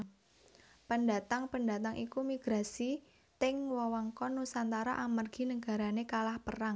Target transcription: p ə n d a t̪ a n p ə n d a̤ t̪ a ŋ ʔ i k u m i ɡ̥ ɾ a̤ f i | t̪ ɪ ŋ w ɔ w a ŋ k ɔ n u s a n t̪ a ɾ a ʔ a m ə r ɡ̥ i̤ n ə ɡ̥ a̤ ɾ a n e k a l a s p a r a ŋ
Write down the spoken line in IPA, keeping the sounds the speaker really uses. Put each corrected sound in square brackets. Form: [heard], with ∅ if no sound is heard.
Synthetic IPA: p ə n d a t̪ a [ŋ] p ə n d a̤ t̪ a ŋ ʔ i k u m i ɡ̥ ɾ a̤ [s] i | t̪ ɪ ŋ w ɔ w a ŋ k ɔ n u s a n t̪ a ɾ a ʔ a m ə r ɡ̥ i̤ n ə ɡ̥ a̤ ɾ a n e k a l a [h] p [ə] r a ŋ

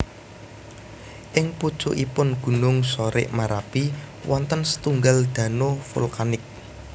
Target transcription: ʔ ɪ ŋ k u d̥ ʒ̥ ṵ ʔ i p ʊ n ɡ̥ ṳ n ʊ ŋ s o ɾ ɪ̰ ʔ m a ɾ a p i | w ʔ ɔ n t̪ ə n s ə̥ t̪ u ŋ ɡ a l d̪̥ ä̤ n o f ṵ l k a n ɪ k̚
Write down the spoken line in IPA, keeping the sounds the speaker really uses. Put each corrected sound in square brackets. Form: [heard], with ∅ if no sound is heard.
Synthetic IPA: ʔ ɪ ŋ [p] u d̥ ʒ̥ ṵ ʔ i p ʊ n ɡ̥ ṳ n ʊ ŋ s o ɾ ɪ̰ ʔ m a ɾ a p i | w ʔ ɔ n t̪ ə n s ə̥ t̪ u ŋ ɡ a l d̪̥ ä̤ n o f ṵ l k a n ɪ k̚

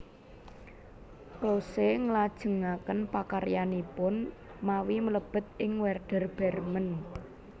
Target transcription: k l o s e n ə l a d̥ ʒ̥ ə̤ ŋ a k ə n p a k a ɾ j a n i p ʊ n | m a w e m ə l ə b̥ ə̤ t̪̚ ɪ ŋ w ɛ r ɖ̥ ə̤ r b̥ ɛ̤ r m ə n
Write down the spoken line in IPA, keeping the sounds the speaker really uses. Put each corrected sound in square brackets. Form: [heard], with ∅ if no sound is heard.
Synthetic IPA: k l o s e [ŋ] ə l a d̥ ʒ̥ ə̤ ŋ a k ə n p a k a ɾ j a n i p ʊ n | m a w [i] m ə l ə b̥ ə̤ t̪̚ ɪ ŋ w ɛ r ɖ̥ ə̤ r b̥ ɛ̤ r m ə n

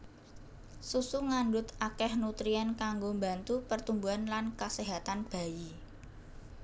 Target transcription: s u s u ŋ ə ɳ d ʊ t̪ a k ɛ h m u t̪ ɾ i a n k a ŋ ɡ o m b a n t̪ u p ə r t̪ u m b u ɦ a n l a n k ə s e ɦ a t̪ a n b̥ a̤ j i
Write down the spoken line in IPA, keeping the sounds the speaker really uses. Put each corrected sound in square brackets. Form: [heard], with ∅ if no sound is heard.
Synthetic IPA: s u s u ŋ [a] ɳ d ʊ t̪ a k ɛ h [n] u t̪ ɾ i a n k a ŋ ɡ o m b a n t̪ u p ə r t̪ u m b u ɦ a n l a n k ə s e ɦ a t̪ a n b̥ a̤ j i

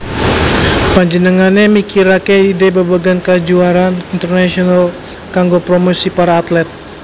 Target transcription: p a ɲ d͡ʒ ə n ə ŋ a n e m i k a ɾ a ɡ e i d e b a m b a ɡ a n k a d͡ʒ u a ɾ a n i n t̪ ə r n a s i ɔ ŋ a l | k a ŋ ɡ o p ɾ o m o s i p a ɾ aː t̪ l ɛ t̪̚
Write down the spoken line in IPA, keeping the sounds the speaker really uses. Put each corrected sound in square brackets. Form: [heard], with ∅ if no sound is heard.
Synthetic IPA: p a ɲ d͡ʒ ə n ə ŋ a n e m i k [i] ɾ a [k] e i d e b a [∅] b a ɡ a n k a d͡ʒ u a ɾ a n i n t̪ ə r n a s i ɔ [n] a l | k a ŋ ɡ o p ɾ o m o s i p a ɾ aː t̪ l ɛ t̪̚

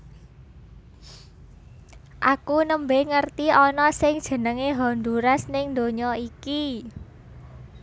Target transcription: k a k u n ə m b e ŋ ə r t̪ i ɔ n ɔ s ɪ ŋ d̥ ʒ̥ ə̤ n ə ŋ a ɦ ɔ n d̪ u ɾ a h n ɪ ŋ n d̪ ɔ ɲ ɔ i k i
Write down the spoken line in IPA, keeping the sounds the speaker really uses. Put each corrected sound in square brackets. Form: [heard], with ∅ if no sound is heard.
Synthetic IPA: [ʔ] a k u n ə m b e ŋ ə r t̪ i ɔ n ɔ s ɪ ŋ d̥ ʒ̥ ə̤ n ə ŋ [e] ɦ ɔ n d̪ u ɾ a [s] n ɪ ŋ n d̪ [o] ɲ ɔ i k i

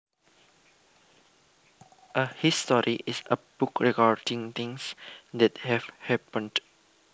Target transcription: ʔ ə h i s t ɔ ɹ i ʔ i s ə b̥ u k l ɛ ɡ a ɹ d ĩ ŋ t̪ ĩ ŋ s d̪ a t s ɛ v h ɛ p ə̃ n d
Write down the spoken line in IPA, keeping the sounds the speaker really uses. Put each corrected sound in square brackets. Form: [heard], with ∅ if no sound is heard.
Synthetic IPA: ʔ ə h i s t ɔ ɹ i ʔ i s ə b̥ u k [ɹ] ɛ ɡ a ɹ d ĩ ŋ t̪ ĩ ŋ s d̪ [ɛ] t [h] ɛ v h ɛ p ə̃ n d

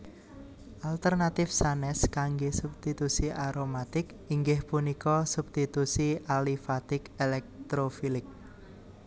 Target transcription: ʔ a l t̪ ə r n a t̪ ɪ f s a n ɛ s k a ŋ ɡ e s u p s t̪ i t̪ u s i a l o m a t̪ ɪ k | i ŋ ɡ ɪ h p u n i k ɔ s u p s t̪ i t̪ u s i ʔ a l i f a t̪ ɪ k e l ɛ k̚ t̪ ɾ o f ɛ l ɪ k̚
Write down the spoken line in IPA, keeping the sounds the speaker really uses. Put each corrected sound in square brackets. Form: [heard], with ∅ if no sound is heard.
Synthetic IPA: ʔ a l t̪ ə r n a t̪ ɪ f s a n ɛ s k a ŋ ɡ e s u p s t̪ i t̪ u s i a [ɾ] o m a t̪ ɪ k | i ŋ ɡ ɪ h p u n i k ɔ s u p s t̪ i t̪ u s i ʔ a l i f a t̪ ɪ k e l ɛ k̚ t̪ ɾ o f [i] l ɪ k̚

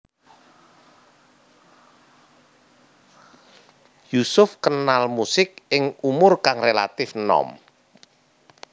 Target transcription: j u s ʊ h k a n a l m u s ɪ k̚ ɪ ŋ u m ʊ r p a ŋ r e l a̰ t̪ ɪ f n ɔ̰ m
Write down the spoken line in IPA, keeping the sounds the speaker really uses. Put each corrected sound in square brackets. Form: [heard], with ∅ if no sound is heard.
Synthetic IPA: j u s ʊ [f] k [ə] n a l m u s ɪ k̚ ɪ ŋ u m ʊ r [k] a ŋ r e l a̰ t̪ ɪ f n ɔ̰ m

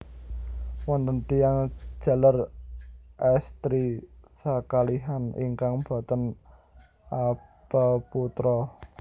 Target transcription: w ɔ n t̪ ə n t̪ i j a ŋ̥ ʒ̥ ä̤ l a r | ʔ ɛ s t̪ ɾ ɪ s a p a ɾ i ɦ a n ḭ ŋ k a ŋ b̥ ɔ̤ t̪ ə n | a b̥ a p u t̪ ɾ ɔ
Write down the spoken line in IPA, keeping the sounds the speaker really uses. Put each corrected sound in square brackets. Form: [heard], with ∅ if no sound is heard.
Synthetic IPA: w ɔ n t̪ ə n t̪ i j a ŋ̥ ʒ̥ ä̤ l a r | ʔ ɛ s t̪ ɾ [i] s a [k] a [l] i ɦ a n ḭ ŋ k a ŋ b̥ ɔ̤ t̪ ə n | a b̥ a p u t̪ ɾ ɔ

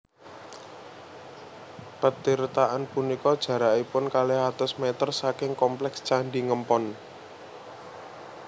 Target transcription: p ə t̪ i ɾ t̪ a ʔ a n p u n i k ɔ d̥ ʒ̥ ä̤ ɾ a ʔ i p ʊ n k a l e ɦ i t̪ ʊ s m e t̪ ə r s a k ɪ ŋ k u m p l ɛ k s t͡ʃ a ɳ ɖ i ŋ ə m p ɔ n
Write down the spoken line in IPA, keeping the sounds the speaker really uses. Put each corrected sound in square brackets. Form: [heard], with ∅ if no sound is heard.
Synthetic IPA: p ə t̪ i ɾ t̪ a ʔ a n p u n i k ɔ d̥ ʒ̥ ä̤ ɾ a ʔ i p ʊ n k a l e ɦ [a] t̪ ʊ s m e t̪ ə r s a k ɪ ŋ k [ɔ] m p l ɛ k s t͡ʃ a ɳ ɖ i ŋ ə m p ɔ n

